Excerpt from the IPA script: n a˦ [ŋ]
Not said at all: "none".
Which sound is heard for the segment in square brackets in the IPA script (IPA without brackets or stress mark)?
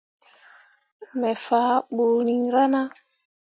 none